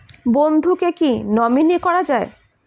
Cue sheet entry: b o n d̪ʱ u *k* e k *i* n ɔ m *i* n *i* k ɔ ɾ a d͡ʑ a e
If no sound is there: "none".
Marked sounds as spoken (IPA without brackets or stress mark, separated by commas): k, i, i, i